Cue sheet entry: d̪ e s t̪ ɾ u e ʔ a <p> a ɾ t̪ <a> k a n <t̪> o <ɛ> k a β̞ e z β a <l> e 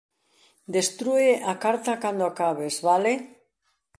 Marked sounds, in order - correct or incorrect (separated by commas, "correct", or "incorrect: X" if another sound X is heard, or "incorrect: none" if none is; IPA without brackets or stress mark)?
incorrect: k, correct, incorrect: d̪, incorrect: a, correct